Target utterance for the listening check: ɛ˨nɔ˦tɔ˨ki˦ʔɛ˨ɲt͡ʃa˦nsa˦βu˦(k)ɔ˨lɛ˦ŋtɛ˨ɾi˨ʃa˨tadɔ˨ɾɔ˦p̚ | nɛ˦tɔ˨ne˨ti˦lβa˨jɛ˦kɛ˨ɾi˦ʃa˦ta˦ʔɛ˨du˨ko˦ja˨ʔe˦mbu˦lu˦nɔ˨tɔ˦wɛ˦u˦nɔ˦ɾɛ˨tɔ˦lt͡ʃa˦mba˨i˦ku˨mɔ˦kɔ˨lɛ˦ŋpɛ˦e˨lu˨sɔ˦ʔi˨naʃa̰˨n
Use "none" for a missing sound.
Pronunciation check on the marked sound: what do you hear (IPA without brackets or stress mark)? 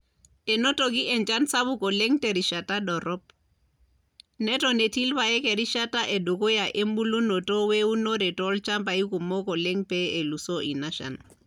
k